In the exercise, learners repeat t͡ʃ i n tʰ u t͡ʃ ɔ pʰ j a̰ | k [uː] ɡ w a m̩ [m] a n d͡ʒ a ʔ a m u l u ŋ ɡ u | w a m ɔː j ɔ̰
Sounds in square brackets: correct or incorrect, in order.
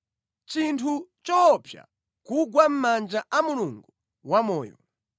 incorrect: u, correct

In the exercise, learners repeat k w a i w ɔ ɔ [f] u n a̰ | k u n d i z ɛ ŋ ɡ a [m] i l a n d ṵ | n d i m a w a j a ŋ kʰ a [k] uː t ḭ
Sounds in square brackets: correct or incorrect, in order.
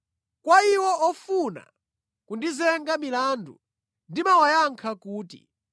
correct, correct, correct

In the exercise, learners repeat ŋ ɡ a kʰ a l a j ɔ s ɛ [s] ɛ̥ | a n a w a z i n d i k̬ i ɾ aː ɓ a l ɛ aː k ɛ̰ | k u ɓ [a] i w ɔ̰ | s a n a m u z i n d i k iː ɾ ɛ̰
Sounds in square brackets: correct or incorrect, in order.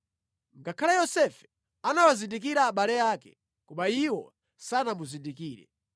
incorrect: f, correct

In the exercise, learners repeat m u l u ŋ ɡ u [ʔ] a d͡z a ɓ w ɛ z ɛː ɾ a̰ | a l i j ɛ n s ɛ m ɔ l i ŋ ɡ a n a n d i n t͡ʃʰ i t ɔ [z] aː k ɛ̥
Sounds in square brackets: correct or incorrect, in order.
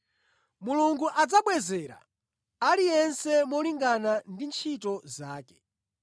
correct, correct

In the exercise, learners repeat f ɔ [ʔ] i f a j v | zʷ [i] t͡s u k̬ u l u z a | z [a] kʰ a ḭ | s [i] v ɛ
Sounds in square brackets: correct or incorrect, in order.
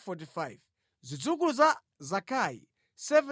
incorrect: t, correct, correct, incorrect: ɛ

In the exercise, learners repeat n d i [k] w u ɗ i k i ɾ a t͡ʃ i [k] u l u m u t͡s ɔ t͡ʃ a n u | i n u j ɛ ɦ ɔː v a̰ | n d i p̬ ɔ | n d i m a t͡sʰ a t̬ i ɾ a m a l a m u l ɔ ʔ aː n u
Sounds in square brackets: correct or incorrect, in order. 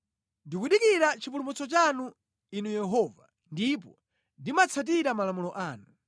correct, incorrect: p

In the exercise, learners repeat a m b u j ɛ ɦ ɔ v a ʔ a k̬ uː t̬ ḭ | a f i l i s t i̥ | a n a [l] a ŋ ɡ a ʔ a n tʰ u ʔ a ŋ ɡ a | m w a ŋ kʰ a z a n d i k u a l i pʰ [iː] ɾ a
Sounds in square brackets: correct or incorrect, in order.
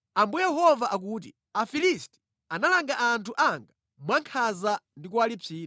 correct, correct

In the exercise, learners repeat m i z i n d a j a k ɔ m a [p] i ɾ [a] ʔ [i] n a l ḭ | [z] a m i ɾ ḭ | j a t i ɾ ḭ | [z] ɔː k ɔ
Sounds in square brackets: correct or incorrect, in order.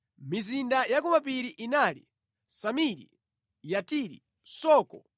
correct, incorrect: i, correct, incorrect: s, incorrect: s

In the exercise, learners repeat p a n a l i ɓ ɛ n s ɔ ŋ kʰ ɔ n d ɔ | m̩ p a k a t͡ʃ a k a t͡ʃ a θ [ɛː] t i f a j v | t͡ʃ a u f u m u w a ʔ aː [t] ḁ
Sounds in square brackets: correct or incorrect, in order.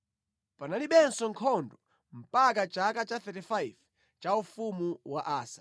incorrect: ɛ, incorrect: s

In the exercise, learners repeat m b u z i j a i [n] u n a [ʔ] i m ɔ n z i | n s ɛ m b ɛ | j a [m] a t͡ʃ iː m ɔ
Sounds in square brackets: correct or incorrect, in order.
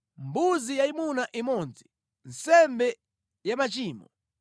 incorrect: m, correct, correct

